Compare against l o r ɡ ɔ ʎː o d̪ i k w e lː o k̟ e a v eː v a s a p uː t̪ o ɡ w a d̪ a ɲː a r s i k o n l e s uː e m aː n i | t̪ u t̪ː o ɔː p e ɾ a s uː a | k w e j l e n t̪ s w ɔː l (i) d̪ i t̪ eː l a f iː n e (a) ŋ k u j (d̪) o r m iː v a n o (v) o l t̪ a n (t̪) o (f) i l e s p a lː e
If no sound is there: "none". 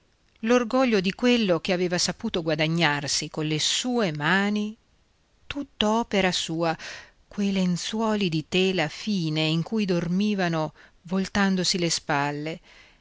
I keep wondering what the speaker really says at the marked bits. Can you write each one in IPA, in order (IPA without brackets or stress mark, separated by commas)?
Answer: i, i, d̪, v, d̪, s